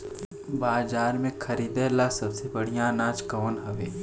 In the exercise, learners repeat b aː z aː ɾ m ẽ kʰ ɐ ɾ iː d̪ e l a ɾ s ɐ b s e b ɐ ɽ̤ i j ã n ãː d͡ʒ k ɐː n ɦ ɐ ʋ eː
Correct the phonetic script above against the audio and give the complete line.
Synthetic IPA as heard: b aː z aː ɾ m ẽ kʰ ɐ ɾ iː d̪ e l a s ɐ b s e b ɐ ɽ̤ i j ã n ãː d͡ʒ k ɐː n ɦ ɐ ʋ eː

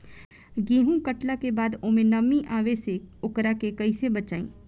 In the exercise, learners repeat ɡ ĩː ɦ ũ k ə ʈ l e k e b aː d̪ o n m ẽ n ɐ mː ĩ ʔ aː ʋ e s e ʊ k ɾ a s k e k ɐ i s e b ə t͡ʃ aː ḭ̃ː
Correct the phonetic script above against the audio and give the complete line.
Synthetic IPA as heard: ɡ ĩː ɦ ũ k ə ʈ l a k e b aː d̪ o m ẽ n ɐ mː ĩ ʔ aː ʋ e s e ʊ k ɾ a k e k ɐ i s e b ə t͡ʃ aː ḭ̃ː

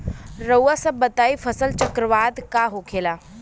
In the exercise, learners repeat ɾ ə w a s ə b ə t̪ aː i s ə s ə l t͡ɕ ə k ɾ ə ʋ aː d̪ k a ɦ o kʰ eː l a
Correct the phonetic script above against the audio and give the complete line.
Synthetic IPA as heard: ɾ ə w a s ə b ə t̪ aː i f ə s ə l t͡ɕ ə k ɾ ə ʋ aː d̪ k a ɦ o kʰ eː l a

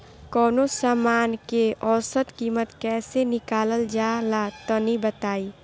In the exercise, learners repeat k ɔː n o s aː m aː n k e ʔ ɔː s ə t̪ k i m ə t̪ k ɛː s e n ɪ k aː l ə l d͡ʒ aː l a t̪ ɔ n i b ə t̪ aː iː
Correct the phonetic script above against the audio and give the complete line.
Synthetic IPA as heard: k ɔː n o s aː m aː n k e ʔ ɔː s ə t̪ k iː m ə t̪ k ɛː s e n ɪ k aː l ə l d͡ʒ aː l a t̪ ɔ n i b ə t̪ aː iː

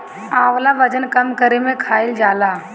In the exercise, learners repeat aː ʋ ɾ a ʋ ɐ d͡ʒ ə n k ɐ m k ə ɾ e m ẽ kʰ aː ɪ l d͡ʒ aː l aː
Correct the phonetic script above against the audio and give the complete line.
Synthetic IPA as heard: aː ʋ l a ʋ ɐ d͡ʒ ə n k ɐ m k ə ɾ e m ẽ kʰ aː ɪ l d͡ʒ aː l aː

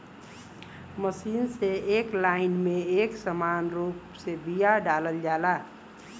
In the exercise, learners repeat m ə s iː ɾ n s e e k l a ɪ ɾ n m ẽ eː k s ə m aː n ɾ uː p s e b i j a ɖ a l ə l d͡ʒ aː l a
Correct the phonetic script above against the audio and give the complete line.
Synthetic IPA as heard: m ə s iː n s e e k l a ɪ n m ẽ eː k s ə m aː n ɾ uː p s e b i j a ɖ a l ə l d͡ʒ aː l a

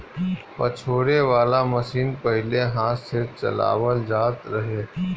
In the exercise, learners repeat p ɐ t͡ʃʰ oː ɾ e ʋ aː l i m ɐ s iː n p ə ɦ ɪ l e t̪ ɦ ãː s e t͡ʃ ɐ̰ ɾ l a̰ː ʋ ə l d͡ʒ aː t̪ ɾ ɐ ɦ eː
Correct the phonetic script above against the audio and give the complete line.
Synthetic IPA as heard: p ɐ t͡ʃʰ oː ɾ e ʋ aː l a m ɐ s iː n p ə ɦ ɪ l e ɦ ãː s e t͡ʃ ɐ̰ l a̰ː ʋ ə l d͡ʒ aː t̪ ɾ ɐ ɦ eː

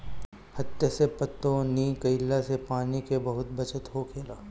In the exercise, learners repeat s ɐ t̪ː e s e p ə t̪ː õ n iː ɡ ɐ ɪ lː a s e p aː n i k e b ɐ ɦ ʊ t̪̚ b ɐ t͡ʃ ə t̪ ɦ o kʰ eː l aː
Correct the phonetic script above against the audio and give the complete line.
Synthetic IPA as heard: h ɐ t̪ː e s e p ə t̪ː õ n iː k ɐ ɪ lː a s e p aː n i k e b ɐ ɦ ʊ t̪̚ b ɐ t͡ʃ ə t̪ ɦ o kʰ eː l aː

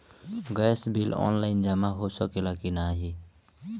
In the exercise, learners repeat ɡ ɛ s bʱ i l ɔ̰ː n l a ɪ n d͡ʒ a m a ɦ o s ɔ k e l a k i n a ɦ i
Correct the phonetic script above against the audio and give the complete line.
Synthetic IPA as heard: ɡ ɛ s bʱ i l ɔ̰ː n l a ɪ n d͡ʒ a m a ɦ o s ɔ k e l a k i n a ɦ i

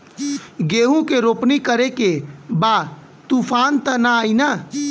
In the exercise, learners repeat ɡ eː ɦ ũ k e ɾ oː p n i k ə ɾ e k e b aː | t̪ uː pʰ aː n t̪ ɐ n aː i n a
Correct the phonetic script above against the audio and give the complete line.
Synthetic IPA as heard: ɡ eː ɦ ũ k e ɾ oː p n i k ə ɾ e k e b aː | t̪ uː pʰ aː n t̪ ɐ n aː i n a

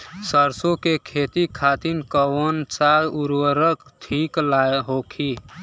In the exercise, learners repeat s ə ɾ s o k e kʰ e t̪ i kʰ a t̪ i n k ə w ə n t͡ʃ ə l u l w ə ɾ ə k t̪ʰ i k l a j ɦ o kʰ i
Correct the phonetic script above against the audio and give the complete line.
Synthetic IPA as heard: s ə ɾ s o k e kʰ e t̪ i kʰ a t̪ i n k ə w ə n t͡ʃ a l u ɾ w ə ɾ ə k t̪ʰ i k l a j ɦ o kʰ i

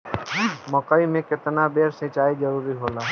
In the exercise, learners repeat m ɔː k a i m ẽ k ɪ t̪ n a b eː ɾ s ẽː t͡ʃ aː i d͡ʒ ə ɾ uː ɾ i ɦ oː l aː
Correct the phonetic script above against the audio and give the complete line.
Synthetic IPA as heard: m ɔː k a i m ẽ k ɪ t̪ n a b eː ɾ s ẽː t͡ʃ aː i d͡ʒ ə ɾ uː ɾ i ɦ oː l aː

